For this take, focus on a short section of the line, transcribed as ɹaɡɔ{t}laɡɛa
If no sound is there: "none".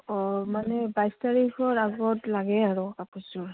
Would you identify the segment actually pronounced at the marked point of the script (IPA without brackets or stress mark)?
t